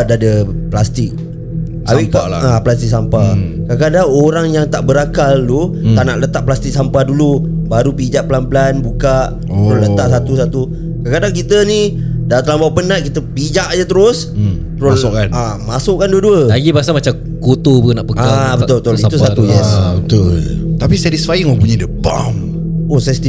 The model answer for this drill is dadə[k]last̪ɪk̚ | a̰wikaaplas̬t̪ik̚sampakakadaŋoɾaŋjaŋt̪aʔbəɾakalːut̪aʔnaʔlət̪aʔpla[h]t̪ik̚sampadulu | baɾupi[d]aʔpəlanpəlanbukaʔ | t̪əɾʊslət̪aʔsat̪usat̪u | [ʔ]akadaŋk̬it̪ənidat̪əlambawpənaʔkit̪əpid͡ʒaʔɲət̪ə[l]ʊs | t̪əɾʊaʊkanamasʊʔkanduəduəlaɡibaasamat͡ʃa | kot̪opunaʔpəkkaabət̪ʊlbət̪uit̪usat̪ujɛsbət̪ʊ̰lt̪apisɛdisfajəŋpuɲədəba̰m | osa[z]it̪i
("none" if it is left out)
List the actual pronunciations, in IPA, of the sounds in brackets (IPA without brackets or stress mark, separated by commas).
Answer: p, s, d͡ʒ, k, ɾ, s